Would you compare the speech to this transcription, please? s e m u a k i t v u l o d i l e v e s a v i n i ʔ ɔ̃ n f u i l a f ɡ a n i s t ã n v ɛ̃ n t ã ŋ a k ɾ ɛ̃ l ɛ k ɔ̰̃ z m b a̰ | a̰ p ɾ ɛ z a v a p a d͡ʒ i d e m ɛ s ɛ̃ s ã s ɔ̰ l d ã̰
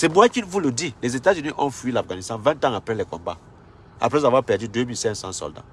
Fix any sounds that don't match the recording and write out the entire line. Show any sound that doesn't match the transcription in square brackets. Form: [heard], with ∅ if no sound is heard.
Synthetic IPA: s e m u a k i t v u l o d i l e [z] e [t] a [z] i n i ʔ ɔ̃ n f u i l a f ɡ a n i s t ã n v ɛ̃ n t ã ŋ a [p] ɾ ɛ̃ l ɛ k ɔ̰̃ [∅] m b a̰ | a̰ p ɾ ɛ z a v a p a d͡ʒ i d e m [i] s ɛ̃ s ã s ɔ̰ l d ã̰